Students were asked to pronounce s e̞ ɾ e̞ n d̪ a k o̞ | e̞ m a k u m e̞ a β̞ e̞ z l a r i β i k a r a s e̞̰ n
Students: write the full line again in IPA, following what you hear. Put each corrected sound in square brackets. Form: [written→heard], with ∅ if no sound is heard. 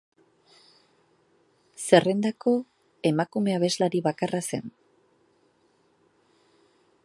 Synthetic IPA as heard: s e̞ [ɾ→r] e̞ n d̪ a k o̞ | e̞ m a k u m e̞ a β̞ e̞ z l a [r→ɾ] i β [i→a] k a r a s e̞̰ n